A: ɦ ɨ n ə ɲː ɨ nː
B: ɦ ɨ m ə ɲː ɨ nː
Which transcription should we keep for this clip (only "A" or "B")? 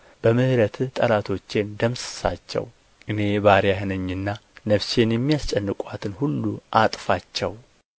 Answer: A